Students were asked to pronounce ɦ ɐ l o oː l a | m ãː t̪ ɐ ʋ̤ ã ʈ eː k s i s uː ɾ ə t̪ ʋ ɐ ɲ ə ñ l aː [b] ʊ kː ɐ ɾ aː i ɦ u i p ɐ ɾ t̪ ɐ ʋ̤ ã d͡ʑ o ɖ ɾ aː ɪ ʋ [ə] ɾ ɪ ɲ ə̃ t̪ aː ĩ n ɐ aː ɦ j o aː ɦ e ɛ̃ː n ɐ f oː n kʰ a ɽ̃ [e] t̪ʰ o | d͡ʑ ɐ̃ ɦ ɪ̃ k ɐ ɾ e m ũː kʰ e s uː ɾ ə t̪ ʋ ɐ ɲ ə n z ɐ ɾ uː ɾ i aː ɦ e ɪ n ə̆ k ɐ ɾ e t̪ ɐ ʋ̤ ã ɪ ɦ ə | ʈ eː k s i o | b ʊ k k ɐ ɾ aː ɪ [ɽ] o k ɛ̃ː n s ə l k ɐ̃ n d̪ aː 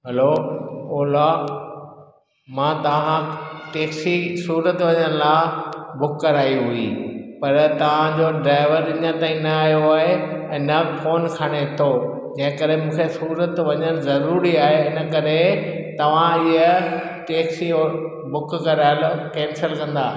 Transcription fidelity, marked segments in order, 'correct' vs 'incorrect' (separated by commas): correct, correct, correct, incorrect